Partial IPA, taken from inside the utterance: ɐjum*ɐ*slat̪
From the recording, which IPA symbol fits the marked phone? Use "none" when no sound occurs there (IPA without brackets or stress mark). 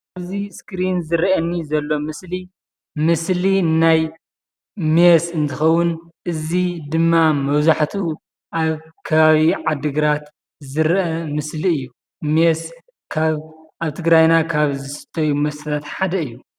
ɐ